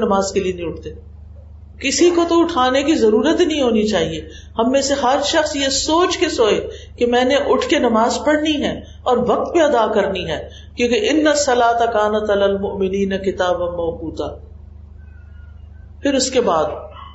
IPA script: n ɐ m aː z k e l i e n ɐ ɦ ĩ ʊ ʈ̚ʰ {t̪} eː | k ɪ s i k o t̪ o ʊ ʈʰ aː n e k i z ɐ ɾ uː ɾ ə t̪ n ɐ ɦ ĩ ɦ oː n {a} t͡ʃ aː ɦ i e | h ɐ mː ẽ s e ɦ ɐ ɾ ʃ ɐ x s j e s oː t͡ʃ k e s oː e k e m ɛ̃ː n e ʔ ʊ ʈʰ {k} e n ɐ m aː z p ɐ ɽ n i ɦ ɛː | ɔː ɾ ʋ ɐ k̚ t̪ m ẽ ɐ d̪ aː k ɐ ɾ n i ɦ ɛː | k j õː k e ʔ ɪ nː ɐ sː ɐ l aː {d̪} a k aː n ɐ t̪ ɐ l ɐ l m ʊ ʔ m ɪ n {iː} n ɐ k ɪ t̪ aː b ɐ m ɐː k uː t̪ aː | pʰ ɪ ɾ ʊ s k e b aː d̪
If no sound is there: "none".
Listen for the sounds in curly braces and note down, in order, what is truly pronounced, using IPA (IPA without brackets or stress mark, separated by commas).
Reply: t̪, i, k, t̪, iː